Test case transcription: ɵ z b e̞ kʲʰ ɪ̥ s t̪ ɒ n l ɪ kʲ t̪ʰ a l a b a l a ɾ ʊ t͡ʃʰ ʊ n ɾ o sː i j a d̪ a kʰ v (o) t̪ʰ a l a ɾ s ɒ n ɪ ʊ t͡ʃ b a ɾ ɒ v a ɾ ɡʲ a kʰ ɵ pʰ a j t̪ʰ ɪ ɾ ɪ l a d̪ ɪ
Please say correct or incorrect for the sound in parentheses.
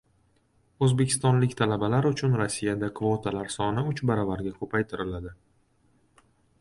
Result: correct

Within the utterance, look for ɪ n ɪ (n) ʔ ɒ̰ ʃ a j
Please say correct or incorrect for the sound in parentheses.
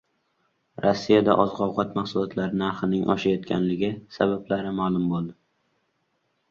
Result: incorrect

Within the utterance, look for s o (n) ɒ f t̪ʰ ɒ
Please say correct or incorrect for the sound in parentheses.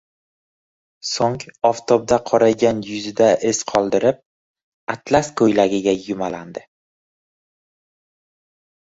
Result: incorrect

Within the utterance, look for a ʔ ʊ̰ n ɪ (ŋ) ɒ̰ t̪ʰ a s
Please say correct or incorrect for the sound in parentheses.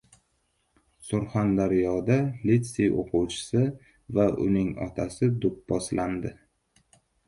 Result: correct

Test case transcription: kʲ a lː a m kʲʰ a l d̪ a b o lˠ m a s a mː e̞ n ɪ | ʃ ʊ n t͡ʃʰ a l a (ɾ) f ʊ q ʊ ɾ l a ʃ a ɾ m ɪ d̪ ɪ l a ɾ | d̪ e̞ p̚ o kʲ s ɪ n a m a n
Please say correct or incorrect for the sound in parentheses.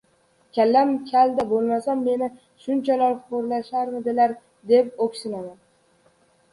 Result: correct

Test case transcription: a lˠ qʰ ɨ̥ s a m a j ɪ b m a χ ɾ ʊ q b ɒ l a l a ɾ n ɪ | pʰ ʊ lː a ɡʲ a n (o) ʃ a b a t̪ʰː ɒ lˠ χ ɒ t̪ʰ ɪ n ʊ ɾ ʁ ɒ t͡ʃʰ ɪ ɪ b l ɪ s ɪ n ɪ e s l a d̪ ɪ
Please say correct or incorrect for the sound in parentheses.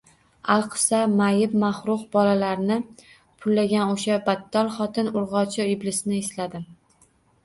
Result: correct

